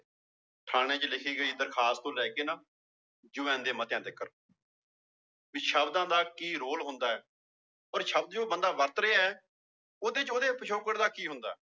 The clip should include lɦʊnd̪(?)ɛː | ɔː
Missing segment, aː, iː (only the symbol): aː